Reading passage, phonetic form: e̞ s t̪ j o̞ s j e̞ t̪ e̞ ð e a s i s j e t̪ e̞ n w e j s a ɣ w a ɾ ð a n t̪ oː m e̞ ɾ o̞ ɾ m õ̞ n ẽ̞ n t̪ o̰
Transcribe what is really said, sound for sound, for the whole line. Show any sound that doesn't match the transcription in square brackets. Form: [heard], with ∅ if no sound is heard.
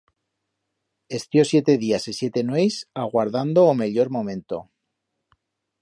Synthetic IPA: e̞ s t̪ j o̞ s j e̞ t̪ e̞ ð [i] a s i s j e t̪ e̞ n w e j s a ɣ w a ɾ ð a n [d̪] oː m e̞ [ʎ] o̞ ɾ m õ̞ [m] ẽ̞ n t̪ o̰